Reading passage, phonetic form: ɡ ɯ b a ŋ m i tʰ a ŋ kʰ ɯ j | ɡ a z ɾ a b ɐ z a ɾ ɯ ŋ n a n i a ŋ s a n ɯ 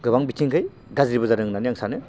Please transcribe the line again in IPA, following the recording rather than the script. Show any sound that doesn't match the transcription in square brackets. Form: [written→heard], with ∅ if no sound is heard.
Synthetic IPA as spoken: ɡ ɯ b a ŋ [m→b] i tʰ [a→i] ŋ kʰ ɯ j | ɡ a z ɾ [a→i] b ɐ z a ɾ ɯ ŋ n a n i a ŋ s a n ɯ

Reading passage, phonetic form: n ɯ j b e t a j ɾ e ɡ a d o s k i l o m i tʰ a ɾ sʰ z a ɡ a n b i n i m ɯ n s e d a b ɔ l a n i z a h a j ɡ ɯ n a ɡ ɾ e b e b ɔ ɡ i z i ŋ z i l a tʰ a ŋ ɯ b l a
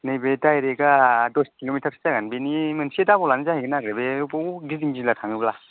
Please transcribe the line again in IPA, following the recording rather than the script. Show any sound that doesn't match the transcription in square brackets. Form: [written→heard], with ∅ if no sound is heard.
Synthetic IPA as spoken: n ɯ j b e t a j ɾ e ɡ a d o s k i l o m i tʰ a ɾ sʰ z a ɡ a n b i n i m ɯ n s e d a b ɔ l a n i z a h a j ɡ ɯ n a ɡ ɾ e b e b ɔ ɡ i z i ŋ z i l a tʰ a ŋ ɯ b l a

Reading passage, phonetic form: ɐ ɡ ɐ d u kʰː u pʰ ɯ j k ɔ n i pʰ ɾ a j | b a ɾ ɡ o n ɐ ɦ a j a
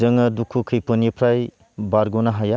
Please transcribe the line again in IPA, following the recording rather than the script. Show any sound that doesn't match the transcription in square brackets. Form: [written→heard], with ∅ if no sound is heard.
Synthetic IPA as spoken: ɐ [ɡ→ŋ] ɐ d u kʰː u [pʰ→kʰ] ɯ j [k→p] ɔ n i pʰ ɾ a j | b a ɾ ɡ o n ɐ ɦ a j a

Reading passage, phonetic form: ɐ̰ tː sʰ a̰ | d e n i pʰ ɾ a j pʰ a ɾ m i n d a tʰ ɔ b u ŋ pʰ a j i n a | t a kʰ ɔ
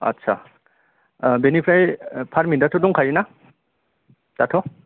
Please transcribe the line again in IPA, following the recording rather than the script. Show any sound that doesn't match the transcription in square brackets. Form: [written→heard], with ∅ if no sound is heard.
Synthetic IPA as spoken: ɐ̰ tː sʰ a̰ | [d→b] e n i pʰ ɾ a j pʰ a ɾ m i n d a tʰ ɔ [b→d] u ŋ [pʰ→kʰ] a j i n a | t a [kʰ→tʰ] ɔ

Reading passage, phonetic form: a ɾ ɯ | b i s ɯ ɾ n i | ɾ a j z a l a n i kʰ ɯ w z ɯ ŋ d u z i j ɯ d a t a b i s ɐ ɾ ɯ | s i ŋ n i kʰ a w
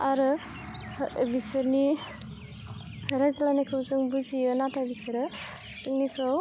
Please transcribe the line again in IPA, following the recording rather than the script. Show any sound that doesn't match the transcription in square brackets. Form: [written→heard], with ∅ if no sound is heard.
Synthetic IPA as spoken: a ɾ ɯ | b i s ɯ ɾ n i | ɾ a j z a l a n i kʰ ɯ w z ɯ ŋ [d→b] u z i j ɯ [d→n] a t a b i s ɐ ɾ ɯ | s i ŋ n i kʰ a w

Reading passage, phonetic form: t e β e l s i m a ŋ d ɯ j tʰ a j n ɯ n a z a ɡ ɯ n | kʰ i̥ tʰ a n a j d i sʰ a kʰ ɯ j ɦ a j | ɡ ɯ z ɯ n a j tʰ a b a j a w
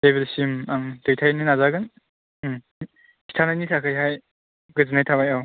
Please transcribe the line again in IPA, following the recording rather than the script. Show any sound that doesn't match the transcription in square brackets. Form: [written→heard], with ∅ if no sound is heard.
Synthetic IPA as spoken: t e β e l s i m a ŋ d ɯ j tʰ a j n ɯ n a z a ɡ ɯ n | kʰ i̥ tʰ a n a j [d→n] i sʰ a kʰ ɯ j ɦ a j | ɡ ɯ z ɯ n a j tʰ a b a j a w

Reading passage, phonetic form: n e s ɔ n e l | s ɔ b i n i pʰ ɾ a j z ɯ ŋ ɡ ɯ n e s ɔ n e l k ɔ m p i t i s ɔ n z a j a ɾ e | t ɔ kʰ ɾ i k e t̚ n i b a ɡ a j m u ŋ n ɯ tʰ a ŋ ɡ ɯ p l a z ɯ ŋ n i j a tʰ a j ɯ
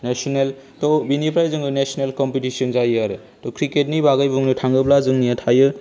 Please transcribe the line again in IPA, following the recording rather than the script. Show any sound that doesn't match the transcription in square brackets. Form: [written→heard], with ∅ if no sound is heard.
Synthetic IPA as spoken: n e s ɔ n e l | [s→t] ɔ b i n i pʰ ɾ a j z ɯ ŋ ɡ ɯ n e s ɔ n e l k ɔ m p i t i s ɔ n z a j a ɾ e | t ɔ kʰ ɾ i k e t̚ n i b a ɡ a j [m→b] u ŋ n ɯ tʰ a ŋ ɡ ɯ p l a z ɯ ŋ n i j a tʰ a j ɯ

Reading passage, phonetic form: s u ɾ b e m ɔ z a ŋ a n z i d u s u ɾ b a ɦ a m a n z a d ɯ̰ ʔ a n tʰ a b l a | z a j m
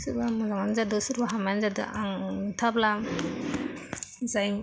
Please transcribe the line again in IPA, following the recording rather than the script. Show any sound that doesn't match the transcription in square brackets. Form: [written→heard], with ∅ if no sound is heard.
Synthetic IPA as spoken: s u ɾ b [e→a] m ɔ z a ŋ a n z [i→a] d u s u ɾ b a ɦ a m a n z a d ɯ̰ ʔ a [n→ŋ] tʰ a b l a | z a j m

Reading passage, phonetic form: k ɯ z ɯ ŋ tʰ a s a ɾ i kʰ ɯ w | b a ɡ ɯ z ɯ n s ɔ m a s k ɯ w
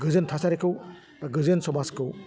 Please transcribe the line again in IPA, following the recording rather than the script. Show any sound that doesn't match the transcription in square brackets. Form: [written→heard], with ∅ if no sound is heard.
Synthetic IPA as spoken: [k→ɡ] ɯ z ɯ [ŋ→n] tʰ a s a ɾ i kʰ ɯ w | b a ɡ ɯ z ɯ n s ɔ m a s k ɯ w

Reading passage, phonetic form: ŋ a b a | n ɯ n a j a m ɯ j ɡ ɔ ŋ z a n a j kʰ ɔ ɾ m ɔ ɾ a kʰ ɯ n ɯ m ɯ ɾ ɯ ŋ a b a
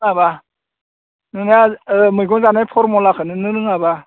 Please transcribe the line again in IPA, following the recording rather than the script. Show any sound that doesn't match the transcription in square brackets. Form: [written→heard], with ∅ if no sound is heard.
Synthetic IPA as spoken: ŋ a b a | n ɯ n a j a m ɯ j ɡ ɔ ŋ z a n a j [kʰ→pʰ] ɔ ɾ m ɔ [ɾ→l] a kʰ ɯ n ɯ [m→n] ɯ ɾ ɯ ŋ a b a

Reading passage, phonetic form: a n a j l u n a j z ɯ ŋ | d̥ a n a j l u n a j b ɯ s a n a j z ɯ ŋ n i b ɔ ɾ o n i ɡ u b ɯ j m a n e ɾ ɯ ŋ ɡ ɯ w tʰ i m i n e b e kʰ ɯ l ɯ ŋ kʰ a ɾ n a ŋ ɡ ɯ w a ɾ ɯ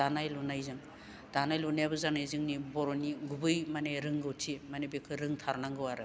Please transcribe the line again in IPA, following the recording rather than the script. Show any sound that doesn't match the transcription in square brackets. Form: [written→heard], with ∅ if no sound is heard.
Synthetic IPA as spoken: a n a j l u n a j z ɯ ŋ | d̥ a n a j l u n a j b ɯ [s→z] a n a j z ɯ ŋ n i b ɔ ɾ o n i ɡ u b ɯ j m a n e ɾ ɯ ŋ ɡ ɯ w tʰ i m [i→a] n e b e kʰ ɯ [l→ɾ] ɯ ŋ [kʰ→tʰ] a ɾ n a ŋ ɡ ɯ w a ɾ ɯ

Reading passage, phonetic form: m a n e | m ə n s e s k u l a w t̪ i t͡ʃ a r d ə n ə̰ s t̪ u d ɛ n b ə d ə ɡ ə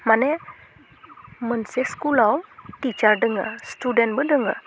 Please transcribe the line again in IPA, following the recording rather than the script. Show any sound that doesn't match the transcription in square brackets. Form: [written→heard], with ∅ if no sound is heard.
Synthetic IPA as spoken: m a n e | m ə n s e s k u l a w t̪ i t͡ʃ a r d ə [n→ŋ] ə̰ s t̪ u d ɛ n b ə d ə [ɡ→ŋ] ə

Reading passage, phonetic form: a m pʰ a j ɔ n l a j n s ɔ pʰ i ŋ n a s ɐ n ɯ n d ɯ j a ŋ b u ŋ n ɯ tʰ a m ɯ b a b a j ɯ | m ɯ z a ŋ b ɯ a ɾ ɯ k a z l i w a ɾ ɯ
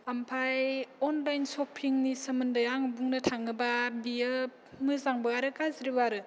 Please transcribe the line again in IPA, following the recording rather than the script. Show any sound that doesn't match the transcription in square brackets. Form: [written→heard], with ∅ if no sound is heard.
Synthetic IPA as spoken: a m pʰ a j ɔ n l a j n s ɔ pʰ i ŋ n [a→i] s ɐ [n→m] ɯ n d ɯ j a ŋ b u ŋ n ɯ tʰ a [m→ŋ] ɯ b a b [a→i] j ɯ | m ɯ z a ŋ b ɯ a ɾ ɯ k a z [l→ɾ] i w a ɾ ɯ

